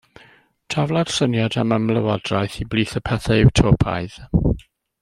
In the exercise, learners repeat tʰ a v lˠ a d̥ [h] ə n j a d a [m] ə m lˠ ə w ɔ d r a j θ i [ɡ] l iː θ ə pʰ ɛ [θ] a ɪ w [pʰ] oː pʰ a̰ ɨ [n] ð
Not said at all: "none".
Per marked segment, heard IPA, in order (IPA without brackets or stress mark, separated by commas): s, m, b, θ, tʰ, none